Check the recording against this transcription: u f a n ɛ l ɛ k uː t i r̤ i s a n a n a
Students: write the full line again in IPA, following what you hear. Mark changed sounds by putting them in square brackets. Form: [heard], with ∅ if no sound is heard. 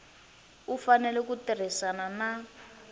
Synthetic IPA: u f a n ɛ l ɛ k [u] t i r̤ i s a n a n a